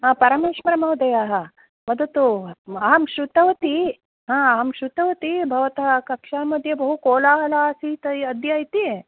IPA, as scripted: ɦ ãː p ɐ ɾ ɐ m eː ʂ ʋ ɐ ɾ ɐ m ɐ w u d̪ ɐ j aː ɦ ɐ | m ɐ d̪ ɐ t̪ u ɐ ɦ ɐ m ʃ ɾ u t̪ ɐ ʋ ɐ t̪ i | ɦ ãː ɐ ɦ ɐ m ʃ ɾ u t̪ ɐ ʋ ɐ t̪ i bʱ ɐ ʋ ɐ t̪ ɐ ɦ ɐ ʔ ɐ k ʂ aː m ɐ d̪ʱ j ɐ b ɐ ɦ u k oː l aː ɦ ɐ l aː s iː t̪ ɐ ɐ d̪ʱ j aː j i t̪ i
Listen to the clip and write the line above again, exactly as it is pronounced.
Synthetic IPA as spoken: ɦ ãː p ɐ ɾ ɐ m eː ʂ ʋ ɐ ɾ ɐ m ɐ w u d̪ ɐ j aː ɦ ɐ | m ɐ d̪ ɐ t̪ u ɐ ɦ ɐ m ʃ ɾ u t̪ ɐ ʋ ɐ t̪ i | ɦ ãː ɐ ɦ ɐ m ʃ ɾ u t̪ ɐ ʋ ɐ t̪ i bʱ ɐ ʋ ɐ t̪ ɐ ɦ ɐ k ɐ k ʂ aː m ɐ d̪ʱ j ɐ b ɐ ɦ u k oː l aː ɦ ɐ l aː s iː t̪ ɐ ɐ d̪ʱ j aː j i t̪ i